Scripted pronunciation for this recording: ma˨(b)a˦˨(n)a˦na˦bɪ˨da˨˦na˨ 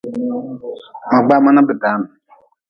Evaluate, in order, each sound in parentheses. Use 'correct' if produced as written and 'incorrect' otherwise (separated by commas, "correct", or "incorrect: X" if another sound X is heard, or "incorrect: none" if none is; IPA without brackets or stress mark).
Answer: incorrect: ɡ͡b, incorrect: m